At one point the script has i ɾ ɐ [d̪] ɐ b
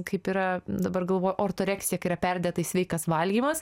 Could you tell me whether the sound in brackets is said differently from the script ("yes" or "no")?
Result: no